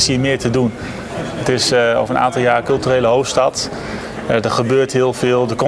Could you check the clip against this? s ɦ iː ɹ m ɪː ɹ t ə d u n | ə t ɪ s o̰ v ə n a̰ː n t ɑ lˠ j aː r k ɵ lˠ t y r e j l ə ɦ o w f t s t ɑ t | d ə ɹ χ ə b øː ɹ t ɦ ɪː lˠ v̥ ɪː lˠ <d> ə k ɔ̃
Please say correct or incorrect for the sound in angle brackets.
correct